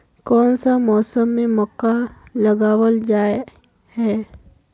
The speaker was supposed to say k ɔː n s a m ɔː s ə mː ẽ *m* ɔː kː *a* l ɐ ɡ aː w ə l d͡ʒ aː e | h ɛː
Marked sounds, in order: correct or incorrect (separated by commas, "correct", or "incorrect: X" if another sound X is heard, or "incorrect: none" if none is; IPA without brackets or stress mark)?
correct, correct